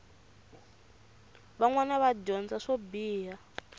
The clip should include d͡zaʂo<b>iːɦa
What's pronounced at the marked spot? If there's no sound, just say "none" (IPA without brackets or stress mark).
b